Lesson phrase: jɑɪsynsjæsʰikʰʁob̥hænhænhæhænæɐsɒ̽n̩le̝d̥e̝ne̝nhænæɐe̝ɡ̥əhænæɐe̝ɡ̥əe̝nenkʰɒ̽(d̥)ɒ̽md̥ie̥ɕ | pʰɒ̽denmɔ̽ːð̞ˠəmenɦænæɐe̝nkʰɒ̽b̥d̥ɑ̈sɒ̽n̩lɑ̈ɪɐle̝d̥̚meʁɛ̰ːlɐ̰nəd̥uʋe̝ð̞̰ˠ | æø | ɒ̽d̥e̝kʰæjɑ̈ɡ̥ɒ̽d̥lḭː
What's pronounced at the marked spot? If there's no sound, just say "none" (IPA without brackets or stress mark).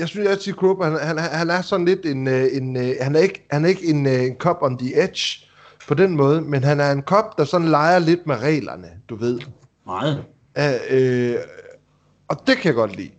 b̥